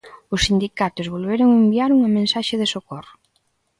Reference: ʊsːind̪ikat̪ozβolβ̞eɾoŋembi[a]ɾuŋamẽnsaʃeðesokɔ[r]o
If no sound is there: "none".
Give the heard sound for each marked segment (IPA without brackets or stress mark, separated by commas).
a, r